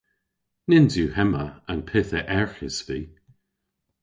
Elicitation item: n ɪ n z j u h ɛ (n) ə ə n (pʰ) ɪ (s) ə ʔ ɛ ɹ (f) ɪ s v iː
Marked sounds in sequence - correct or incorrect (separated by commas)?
incorrect, correct, incorrect, incorrect